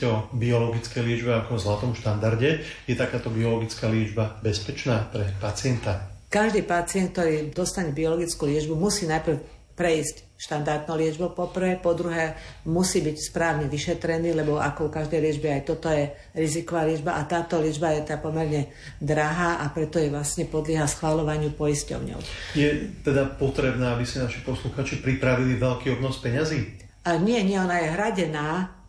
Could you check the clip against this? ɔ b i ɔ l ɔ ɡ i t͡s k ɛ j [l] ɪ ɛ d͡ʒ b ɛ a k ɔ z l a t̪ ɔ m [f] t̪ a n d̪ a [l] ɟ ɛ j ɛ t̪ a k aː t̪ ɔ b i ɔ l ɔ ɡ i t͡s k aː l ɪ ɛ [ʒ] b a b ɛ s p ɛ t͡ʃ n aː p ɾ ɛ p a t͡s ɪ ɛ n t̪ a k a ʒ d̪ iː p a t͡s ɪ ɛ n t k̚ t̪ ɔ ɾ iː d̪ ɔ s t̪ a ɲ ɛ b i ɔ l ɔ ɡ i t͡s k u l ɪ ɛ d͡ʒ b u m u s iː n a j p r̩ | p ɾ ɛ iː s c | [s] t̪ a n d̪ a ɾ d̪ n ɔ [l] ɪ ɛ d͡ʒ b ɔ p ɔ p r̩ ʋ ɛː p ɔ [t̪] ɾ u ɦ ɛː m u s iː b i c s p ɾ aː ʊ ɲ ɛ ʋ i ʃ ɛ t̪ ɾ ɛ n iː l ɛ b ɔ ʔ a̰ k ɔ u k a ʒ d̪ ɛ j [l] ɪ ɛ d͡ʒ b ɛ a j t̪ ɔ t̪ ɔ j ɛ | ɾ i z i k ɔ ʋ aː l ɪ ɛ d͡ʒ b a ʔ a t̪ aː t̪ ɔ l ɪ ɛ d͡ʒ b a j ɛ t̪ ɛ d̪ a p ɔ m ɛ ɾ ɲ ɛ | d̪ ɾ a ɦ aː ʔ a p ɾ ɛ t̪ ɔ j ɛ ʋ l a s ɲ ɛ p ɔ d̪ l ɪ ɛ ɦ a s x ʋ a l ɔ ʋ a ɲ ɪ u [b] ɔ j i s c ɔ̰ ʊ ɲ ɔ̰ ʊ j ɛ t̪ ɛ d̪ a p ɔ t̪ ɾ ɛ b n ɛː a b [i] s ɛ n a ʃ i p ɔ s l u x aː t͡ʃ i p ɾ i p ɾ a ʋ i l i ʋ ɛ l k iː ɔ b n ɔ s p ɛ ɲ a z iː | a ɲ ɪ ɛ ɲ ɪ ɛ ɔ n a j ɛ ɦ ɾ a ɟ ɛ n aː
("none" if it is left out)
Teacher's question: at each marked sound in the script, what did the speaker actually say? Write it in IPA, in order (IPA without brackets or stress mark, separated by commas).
l, ʃ, ɾ, d͡ʒ, ʃ, l, d̪, l, p, i